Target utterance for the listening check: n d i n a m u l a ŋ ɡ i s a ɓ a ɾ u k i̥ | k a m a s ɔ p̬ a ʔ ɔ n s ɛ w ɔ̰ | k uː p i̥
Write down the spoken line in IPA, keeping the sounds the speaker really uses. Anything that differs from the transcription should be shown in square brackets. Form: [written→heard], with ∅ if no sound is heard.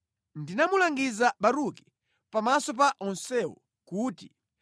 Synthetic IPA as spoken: n d i n a m u l a ŋ ɡ i [s→z] a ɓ a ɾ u k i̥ | [k→p] a m a s ɔ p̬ a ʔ ɔ n s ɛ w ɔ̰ | k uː [p→t] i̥